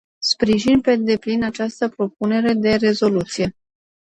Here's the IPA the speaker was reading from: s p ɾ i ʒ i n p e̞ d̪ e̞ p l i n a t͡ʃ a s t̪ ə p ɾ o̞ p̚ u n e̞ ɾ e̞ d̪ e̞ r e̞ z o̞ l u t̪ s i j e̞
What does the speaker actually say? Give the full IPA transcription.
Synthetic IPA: s p ɾ i ʒ i n p e̞ d̪ e̞ p l i n a t͡ʃ a s t̪ ə p ɾ o̞ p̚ u n e̞ ɾ e̞ d̪ e̞ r e̞ z o̞ l u t̪ s i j e̞